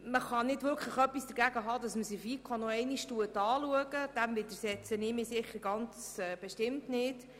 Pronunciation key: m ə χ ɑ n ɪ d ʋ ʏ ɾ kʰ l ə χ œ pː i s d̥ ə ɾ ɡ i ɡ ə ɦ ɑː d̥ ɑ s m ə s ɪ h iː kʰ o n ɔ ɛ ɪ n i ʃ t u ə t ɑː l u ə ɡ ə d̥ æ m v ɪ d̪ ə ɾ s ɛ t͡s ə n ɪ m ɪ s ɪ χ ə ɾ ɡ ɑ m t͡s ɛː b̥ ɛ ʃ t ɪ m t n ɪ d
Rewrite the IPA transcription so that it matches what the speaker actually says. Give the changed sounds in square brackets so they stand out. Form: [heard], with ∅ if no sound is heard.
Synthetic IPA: m ə χ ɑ n ɪ d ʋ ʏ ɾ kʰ l ə χ œ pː i s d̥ ə ɾ ɡ [æ] ɡ ə ɦ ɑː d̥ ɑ s m ə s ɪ [f] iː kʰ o n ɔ ɛ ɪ n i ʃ t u ə t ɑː l u ə ɡ ə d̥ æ m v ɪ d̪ ə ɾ s ɛ t͡s ə n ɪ m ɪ s ɪ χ ə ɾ ɡ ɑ [n] t͡s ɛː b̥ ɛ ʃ t ɪ m t n ɪ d